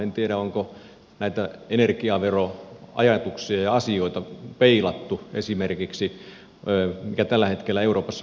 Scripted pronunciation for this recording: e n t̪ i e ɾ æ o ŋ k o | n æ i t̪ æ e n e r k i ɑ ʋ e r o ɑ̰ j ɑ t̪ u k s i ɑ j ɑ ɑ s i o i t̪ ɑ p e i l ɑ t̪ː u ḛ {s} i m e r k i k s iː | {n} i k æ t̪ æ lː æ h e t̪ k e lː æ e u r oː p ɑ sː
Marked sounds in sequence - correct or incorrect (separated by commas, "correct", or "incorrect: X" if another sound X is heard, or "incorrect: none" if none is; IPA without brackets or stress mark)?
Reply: correct, incorrect: m